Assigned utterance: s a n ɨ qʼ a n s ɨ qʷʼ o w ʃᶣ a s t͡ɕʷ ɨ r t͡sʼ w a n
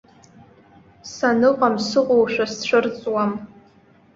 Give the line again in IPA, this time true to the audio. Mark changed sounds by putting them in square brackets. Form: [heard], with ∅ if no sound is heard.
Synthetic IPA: s a n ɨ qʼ a [m] s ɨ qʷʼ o w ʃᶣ a s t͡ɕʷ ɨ r t͡sʼ w a [m]